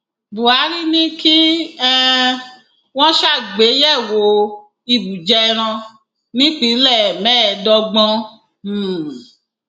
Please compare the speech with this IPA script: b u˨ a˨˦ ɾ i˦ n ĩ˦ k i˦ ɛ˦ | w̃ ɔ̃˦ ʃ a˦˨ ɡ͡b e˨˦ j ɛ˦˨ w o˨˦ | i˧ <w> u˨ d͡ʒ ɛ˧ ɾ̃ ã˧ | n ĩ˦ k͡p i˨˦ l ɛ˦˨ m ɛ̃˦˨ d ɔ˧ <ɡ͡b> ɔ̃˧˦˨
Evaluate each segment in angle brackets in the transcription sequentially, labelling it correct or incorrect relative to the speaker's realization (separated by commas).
incorrect, correct